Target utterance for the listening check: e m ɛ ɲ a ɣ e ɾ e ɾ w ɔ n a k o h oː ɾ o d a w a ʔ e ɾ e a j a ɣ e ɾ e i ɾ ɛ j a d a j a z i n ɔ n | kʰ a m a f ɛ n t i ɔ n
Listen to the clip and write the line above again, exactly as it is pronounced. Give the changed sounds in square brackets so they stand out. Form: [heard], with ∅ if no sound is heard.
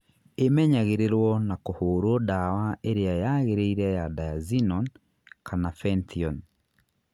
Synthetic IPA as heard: e m ɛ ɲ a ɣ e ɾ e ɾ w ɔ n a k o h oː ɾ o d a w a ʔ e ɾ e a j a ɣ e ɾ e i ɾ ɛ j a d a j a z i n ɔ n | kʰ a [n] a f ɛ n t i ɔ n